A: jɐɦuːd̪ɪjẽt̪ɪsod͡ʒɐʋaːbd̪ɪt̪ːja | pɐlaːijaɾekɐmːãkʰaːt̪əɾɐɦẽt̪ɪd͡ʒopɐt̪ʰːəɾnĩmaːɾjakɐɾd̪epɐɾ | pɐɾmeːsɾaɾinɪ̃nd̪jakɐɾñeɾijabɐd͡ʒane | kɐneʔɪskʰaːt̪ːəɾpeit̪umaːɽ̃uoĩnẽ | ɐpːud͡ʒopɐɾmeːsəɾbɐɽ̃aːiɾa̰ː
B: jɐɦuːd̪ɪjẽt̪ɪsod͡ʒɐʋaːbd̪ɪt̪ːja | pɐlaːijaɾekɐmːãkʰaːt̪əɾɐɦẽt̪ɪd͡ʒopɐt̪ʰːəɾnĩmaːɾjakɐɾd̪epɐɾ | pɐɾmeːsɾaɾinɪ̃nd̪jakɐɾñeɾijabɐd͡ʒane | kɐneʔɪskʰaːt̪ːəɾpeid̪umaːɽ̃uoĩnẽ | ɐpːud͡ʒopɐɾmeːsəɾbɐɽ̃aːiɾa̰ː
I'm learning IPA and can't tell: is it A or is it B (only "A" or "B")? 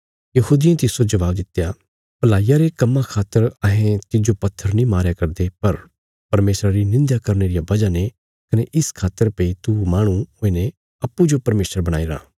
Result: A